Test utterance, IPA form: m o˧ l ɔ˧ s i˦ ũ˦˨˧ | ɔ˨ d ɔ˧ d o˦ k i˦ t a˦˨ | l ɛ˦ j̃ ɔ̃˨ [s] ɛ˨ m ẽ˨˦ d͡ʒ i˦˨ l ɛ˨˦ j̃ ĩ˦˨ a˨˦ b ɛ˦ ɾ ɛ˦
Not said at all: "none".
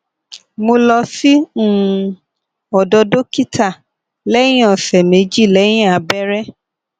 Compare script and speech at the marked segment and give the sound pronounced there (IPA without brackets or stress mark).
s